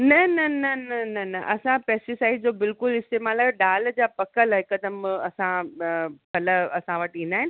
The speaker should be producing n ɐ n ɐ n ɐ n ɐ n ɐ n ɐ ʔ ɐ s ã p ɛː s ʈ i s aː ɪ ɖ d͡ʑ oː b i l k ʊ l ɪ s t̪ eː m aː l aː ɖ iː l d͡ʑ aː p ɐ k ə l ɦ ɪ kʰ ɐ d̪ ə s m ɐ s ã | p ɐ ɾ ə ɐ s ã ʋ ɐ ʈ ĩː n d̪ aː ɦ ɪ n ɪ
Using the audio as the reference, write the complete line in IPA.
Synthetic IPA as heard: n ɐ n ɐ n ɐ n ɐ n ɐ n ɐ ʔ ɐ s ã p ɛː s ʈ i s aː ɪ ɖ d͡ʑ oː b ɪ l k ʊ l ɪ s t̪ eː m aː l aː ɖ aː l d͡ʑ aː p ɐ k ə l ɦ ɪ k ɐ d̪ ə m ɐ s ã | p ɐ l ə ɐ s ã ʋ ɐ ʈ ĩː n d̪ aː ɦ ɪ n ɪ